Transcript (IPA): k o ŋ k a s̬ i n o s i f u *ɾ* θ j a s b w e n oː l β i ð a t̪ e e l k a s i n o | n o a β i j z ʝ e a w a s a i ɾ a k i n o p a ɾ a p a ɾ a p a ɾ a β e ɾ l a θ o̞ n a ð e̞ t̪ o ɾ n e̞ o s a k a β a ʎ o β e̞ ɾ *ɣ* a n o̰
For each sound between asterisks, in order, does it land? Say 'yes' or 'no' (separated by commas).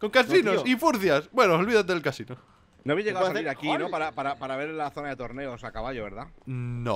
yes, no